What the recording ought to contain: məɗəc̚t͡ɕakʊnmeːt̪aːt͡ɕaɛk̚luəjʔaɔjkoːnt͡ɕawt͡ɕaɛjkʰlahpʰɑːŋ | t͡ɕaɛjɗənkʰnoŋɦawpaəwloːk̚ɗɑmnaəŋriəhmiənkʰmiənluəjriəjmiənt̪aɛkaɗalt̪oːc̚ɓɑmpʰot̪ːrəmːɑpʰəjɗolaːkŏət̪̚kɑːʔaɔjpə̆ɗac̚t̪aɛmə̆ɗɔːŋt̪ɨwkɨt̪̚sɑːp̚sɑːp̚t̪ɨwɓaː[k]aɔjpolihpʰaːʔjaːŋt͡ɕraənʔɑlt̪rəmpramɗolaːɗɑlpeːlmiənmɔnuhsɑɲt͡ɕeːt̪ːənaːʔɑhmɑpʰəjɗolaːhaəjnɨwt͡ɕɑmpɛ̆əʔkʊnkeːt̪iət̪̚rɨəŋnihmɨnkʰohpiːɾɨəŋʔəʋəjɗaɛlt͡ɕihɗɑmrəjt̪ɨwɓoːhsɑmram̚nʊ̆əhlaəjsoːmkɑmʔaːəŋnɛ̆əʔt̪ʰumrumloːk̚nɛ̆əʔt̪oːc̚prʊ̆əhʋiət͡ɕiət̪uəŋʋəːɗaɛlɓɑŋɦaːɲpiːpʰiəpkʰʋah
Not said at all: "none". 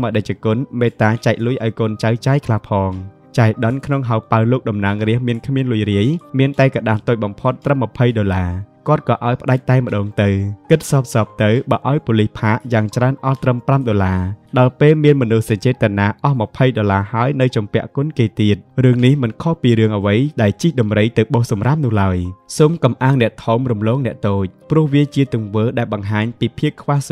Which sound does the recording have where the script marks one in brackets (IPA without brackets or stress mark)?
ʔ